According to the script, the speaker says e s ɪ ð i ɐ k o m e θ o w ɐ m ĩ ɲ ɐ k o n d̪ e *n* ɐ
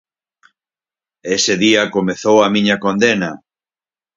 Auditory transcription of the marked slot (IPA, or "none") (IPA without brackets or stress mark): n